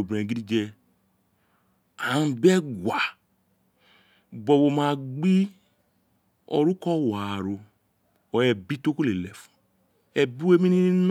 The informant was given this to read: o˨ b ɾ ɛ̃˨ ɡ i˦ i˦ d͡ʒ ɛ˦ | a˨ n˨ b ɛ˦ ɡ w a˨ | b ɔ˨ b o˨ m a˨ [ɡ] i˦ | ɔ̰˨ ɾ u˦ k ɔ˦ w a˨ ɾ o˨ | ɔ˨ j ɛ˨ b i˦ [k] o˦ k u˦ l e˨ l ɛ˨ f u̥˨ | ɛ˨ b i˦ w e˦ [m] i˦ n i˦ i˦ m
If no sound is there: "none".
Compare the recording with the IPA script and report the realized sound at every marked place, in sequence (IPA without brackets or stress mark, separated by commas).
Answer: ɡ͡b, t, m